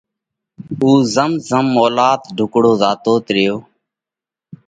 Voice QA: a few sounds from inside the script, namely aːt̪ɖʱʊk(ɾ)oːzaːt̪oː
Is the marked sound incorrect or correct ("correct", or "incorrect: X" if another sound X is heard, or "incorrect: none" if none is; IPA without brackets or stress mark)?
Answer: incorrect: ɽ